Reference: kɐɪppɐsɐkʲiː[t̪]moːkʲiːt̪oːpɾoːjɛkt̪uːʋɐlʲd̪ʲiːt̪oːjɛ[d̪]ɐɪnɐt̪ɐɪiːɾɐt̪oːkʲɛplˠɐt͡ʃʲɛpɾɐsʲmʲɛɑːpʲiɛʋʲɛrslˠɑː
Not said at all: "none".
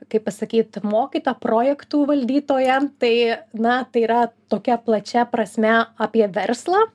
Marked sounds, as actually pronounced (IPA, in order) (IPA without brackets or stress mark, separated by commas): t̪, t̪